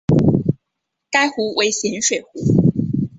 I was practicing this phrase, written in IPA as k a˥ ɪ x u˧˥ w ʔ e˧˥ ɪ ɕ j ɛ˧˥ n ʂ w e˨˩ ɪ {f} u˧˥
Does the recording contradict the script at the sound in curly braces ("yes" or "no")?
yes